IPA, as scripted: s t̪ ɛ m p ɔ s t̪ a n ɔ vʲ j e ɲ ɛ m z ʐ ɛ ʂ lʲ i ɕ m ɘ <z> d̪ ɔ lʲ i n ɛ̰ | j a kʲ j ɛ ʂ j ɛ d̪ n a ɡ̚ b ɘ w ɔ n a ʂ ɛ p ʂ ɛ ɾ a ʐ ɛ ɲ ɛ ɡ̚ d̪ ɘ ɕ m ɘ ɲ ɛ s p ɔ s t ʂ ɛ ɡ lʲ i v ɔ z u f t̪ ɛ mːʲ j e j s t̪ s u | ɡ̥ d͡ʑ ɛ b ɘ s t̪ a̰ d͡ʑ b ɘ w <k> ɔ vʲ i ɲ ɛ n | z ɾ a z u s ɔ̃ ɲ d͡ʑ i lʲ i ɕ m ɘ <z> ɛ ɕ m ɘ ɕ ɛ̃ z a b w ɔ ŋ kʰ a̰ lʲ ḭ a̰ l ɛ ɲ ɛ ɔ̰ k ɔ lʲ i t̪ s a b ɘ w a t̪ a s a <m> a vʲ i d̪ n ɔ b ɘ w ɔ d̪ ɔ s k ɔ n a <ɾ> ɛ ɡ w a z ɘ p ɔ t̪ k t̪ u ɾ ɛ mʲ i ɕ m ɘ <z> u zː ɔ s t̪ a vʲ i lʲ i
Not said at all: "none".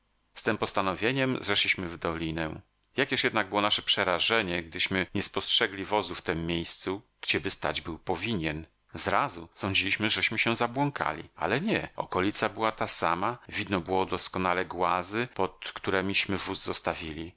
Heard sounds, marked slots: v, p, ʐ, m, l, v

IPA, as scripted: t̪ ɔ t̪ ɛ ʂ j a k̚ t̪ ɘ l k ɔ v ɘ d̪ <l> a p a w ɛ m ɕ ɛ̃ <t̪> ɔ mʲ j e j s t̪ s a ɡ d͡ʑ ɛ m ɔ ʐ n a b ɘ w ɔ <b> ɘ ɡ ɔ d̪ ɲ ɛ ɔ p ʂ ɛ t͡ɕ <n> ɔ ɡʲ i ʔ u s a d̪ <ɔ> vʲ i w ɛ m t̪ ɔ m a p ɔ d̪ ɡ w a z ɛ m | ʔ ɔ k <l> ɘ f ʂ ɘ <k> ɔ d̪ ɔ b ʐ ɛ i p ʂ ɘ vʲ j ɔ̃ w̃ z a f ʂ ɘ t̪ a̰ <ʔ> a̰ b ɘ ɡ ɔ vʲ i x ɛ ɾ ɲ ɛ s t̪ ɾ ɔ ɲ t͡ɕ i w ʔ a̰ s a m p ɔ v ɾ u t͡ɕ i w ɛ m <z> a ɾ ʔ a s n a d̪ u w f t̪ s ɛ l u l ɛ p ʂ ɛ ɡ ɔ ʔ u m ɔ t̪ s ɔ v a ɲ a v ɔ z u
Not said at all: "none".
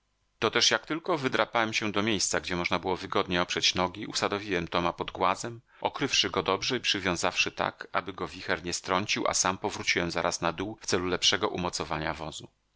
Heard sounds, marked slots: ɾ, d̪, v, n, ɔ, ɾ, ɡ, k, z

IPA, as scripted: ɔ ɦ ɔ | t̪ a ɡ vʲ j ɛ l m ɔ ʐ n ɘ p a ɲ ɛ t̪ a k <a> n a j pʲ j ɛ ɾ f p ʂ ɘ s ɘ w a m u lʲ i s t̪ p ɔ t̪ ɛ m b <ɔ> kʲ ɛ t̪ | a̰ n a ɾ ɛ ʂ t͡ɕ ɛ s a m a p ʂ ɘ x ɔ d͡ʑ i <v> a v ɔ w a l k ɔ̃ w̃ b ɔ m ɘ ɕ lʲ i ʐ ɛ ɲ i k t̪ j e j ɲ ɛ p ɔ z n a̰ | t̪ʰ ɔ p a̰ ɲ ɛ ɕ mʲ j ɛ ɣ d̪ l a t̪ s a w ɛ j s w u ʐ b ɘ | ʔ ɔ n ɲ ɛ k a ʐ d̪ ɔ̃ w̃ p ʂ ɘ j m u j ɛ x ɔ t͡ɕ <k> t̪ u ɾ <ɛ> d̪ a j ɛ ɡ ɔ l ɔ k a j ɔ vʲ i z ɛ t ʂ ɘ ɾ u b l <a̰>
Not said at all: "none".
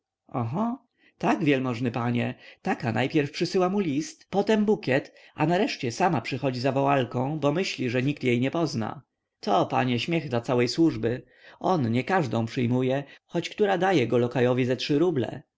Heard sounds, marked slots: a, u, z, k, a, ɛ̰

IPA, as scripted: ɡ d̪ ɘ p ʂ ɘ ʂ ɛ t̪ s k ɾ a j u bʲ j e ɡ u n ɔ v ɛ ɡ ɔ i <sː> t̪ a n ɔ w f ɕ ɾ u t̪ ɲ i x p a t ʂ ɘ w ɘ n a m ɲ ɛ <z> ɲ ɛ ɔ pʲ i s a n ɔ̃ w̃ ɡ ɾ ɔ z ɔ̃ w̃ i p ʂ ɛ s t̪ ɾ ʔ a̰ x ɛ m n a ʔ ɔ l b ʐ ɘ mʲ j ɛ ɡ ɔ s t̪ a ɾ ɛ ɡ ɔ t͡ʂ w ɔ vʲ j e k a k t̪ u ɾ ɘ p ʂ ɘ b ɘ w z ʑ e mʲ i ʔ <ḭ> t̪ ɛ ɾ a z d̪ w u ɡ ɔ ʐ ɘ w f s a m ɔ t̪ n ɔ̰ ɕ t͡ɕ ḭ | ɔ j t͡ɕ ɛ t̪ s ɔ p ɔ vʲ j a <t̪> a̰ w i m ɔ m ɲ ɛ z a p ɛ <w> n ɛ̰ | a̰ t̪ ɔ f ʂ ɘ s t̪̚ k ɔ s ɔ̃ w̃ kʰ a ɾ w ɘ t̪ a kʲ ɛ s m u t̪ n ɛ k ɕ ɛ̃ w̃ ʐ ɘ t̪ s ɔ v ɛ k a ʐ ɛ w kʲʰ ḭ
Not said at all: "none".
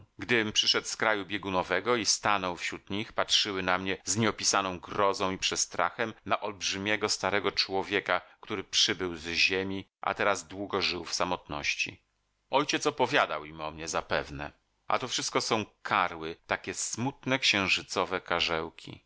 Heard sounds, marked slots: s, z, a̰, d̪, v

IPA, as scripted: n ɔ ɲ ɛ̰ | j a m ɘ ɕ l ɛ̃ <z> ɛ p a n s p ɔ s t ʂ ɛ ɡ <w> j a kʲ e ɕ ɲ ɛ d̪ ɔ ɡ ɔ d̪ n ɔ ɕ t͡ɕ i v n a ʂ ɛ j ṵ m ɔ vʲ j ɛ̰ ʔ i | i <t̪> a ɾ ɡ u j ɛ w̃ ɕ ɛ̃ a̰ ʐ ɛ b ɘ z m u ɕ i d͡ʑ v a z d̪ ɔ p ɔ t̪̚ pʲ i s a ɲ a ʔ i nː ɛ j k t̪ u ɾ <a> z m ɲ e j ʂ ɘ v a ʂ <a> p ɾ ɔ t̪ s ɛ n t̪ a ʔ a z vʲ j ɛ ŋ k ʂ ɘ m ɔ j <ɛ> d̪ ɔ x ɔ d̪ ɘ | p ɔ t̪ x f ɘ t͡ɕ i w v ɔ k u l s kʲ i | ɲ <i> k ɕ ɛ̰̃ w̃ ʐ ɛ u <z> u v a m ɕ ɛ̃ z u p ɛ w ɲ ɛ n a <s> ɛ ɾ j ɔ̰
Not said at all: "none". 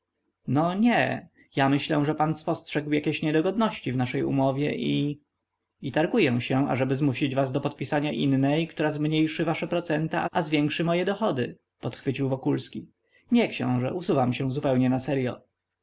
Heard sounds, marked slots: ʐ, w, t̪, a, ɛ, ɛ, ɛ, s, s

